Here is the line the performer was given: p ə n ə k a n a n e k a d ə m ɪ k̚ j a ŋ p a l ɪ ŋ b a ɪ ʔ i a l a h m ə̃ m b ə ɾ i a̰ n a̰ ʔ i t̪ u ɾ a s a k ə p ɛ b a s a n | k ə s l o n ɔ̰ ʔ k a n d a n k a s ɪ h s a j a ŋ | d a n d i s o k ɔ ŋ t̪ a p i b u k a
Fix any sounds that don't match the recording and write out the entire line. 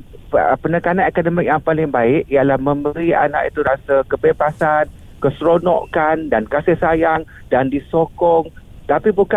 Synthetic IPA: p ə n ə k a n a n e k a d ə m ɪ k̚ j a ŋ p a l ɪ ŋ b a ɪ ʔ i a l a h m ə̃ m b ə ɾ i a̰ n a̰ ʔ i t̪ u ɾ a s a k ə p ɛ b a s a n | k ə s ɾ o n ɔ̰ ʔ k a n d a n k a s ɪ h s a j a ŋ | d a n d i s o k ɔ ŋ t̪ a p i b u k a